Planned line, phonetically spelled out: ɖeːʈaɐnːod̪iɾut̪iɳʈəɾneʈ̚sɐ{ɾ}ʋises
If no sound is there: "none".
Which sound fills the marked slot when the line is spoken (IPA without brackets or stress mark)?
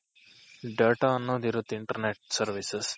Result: ɾ